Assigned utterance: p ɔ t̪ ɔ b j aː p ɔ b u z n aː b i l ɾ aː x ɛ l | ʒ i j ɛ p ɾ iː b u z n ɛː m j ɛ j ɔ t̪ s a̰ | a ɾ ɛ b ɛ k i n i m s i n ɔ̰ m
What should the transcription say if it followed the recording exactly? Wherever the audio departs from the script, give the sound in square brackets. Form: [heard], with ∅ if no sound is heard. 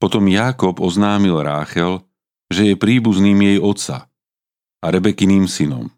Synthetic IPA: p ɔ t̪ ɔ [m] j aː [k] ɔ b [ɔ] z n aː [m] i l ɾ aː x ɛ l | ʒ [ɛ] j ɛ p ɾ iː b u z n [iː] m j ɛ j ɔ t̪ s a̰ | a ɾ ɛ b ɛ k i n [iː] m s i n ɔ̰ m